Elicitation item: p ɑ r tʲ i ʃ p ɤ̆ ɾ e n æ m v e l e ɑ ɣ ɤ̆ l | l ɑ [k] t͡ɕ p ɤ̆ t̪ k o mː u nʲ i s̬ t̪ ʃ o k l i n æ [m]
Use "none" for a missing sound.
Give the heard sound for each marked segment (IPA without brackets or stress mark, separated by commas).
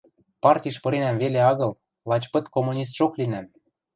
none, m